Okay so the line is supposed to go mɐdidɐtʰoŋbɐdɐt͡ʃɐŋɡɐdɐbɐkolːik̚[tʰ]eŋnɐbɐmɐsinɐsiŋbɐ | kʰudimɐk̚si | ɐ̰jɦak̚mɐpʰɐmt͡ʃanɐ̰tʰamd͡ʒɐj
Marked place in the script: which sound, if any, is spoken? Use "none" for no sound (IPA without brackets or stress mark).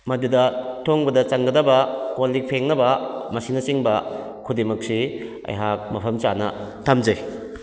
pʰ